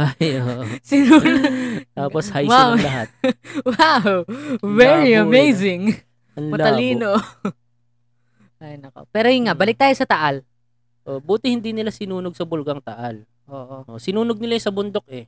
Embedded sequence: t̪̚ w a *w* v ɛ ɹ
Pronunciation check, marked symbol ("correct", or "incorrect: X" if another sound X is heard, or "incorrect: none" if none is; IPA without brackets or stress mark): correct